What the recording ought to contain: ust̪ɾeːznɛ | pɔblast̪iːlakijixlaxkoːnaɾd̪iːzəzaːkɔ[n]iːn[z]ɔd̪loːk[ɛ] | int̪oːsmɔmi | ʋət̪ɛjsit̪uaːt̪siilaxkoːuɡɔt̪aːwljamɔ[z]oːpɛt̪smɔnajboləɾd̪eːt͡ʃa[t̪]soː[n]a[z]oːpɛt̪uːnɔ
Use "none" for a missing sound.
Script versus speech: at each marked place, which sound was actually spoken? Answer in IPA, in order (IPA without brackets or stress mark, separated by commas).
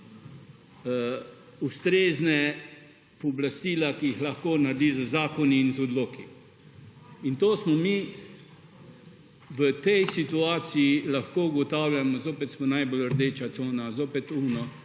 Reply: n, z, i, z, t̪, n, z